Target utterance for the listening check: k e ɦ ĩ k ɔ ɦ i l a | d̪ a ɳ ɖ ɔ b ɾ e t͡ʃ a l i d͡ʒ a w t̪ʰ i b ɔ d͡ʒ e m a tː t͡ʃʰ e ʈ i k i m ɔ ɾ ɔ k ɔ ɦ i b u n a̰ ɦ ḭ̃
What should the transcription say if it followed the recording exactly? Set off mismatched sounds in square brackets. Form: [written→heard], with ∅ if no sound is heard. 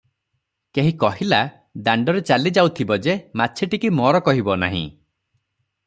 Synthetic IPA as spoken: k e ɦ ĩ k ɔ ɦ i l a | d̪ a ɳ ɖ ɔ [b→∅] ɾ e t͡ʃ a l i d͡ʒ a w t̪ʰ i b ɔ d͡ʒ e m a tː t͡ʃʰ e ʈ i k i m ɔ ɾ ɔ k ɔ ɦ i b [u→ɔ] n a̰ ɦ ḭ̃